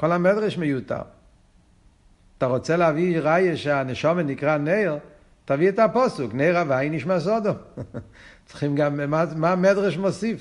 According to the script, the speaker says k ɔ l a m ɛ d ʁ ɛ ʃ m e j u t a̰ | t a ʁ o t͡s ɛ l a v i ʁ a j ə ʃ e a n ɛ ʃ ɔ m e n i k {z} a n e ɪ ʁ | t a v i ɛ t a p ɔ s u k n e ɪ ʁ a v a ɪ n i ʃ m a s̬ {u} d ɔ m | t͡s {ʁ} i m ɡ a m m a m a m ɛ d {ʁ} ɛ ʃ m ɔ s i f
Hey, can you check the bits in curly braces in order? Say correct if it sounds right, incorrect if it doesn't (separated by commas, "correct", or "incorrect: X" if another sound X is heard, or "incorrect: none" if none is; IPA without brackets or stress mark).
incorrect: ʁ, incorrect: ɔ, incorrect: χ, correct